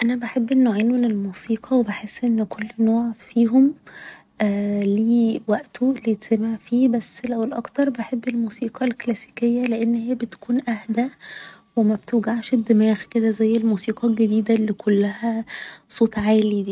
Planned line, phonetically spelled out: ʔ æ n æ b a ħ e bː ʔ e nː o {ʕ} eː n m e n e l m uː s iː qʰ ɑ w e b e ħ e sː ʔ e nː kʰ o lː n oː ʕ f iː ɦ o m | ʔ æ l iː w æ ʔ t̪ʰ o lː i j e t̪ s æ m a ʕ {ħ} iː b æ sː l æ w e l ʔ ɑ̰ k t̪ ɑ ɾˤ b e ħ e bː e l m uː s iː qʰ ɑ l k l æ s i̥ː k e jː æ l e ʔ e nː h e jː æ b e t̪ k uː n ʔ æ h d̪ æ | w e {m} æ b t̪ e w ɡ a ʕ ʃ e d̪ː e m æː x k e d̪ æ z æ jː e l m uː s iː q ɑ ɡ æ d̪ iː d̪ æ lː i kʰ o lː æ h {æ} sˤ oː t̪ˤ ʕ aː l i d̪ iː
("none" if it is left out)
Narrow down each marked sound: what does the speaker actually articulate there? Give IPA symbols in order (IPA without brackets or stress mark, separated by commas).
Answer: ʕ, f, m, æ